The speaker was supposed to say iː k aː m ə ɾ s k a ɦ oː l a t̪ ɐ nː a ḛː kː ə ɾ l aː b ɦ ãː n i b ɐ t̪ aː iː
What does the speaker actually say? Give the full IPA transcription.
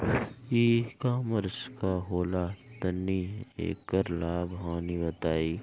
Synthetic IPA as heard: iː k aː m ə ɾ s k a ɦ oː l a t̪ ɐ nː i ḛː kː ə ɾ l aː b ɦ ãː n i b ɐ t̪ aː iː

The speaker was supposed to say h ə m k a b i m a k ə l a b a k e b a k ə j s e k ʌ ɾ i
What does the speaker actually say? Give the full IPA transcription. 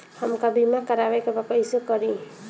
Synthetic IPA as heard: h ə m k a b i m a k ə ɾ a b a k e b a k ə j s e k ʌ ɾ i

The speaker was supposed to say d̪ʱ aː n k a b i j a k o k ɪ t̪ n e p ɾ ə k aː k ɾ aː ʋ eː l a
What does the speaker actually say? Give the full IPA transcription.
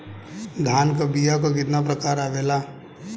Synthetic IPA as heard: d̪ʱ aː n k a b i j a k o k ɪ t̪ n a p ɾ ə k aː ɾ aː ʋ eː l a

